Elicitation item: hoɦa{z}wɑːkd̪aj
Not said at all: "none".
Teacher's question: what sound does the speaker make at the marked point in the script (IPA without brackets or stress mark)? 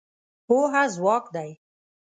z